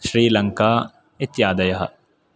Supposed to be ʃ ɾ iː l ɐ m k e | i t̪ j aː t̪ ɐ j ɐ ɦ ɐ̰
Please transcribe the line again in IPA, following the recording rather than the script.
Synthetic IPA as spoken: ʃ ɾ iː l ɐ ŋ k a | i t̪ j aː d̪ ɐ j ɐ ɦ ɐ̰